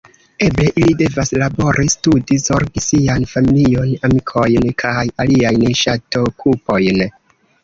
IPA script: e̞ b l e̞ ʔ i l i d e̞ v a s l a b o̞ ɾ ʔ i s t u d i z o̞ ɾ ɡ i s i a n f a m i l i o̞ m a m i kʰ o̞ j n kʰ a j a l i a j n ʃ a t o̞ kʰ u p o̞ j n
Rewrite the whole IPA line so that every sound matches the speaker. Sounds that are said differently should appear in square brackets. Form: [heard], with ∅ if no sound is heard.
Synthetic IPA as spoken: e̞ b l e̞ ʔ i l i d e̞ v a s l a b o̞ ɾ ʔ i s t u d i z o̞ ɾ ɡ i s i a n f a m i l i o̞ [n] a m i kʰ o̞ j n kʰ a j a l i a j n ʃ a t o̞ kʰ u p o̞ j n